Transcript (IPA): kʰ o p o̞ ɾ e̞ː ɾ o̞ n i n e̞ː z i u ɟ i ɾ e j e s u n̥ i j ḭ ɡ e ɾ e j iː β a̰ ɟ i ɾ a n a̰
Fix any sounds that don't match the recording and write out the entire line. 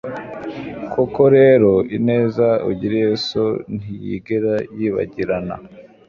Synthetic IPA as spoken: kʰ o k o̞ ɾ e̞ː ɾ o̞ i n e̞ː z a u ɟ i ɾ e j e s o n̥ i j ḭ ɡ e ɾ a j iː β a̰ ɟ i ɾ a n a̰